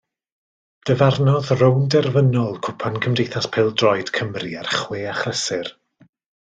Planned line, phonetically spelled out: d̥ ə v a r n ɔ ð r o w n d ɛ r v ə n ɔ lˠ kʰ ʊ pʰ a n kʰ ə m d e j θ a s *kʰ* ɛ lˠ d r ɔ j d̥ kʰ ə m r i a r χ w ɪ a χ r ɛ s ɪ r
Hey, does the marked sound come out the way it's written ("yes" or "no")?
no